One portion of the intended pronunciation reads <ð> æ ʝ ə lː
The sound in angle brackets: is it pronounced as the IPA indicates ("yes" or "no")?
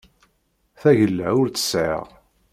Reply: no